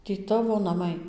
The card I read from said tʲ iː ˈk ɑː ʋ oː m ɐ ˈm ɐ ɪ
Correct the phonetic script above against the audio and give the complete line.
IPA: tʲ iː ˈt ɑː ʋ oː n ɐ ˈm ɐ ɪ

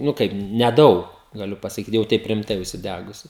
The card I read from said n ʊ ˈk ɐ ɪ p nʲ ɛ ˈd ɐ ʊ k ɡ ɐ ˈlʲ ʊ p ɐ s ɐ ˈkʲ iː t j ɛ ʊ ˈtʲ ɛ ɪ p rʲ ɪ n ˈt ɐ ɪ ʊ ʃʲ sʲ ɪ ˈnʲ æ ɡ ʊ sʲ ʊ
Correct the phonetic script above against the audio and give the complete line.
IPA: n ʊ ˈk ɐ ɪ p nʲ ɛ ˈd ɐ ʊ k ɡ ɐ ˈlʲ ʊ p ɐ s ɐ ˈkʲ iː t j ɛ ʊ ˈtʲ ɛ ɪ p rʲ ɪ m ˈt ɐ ɪ ʊ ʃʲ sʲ ɪ ˈdʲ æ ɡ ʊ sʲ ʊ

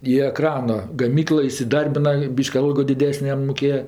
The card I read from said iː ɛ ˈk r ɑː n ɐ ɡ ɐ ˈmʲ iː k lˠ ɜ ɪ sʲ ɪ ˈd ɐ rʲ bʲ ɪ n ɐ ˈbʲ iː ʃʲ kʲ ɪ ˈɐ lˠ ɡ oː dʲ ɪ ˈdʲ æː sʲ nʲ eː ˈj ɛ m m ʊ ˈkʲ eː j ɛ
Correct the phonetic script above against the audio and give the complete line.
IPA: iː ɛ ˈk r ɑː n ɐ ɡ ɐ ˈmʲ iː k lˠ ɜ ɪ sʲ ɪ ˈd ɐ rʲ bʲ ɪ n ɐ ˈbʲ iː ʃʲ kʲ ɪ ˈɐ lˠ ɡ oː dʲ ɪ ˈdʲ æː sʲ nʲ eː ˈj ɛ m m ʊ ˈkʲ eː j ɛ

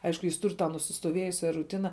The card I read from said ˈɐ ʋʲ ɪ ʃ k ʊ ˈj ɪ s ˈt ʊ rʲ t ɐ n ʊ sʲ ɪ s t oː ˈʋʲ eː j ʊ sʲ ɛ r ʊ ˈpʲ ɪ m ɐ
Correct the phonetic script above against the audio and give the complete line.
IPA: ˈɐ ɪ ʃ k ʊ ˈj ɪ s ˈt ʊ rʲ t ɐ n ʊ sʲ ɪ s t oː ˈʋʲ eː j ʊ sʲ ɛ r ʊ ˈtʲ ɪ n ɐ

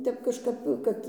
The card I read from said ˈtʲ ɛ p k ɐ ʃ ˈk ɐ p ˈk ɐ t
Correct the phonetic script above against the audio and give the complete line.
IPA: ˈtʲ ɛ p k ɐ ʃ ˈk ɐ p ˈk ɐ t

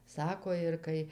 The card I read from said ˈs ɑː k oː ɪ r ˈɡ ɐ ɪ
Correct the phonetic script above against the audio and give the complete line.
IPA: ˈs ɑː k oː ɪ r ˈk ɐ ɪ

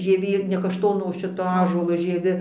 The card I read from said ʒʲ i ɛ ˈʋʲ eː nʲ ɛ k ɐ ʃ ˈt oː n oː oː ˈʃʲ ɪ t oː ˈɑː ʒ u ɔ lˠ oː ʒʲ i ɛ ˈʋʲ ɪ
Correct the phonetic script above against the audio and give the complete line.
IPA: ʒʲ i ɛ ˈʋʲ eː nʲ ɛ k ɐ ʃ ˈt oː n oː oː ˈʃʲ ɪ t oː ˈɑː ʒ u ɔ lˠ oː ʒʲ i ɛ ˈʋʲ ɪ

